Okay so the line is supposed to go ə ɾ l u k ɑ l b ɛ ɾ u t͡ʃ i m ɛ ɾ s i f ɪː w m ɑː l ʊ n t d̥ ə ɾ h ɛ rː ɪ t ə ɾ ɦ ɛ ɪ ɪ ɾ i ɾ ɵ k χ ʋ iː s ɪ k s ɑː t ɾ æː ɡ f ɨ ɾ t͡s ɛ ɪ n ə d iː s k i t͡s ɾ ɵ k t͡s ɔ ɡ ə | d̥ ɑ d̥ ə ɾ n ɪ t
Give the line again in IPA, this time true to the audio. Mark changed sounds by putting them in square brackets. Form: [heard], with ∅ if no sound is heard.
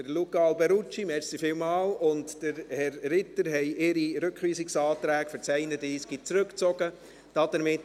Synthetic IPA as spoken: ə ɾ l u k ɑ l b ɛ ɾ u t͡ʃ i m ɛ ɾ s i f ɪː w m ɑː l ʊ n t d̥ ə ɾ h ɛ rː ɪ t ə ɾ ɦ ɛ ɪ ɪ ɾ i ɾ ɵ k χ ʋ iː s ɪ k s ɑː t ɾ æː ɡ f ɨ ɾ t͡s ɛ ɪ n ə d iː s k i t͡s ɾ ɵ k t͡s ɔ ɡ ə | d̥ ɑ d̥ ə ɾ [m] ɪ t